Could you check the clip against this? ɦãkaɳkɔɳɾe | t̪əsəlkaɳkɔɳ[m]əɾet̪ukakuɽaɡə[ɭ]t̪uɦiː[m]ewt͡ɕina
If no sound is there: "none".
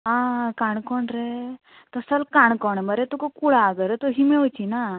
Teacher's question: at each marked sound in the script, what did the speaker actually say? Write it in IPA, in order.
m, ɾ, m

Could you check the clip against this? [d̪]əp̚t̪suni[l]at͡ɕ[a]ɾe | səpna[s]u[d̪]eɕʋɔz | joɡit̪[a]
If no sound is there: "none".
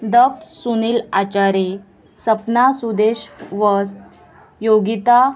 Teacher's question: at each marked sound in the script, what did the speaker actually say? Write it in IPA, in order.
d̪, l, a, s, d̪, a

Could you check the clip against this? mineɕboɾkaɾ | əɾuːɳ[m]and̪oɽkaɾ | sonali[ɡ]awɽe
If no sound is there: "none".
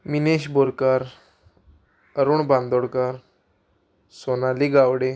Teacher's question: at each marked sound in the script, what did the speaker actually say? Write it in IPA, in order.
b, ɡ

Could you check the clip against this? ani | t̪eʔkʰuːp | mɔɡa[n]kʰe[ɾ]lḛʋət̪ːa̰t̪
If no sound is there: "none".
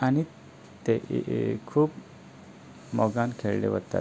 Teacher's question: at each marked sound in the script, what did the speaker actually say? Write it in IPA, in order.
n, ɭ

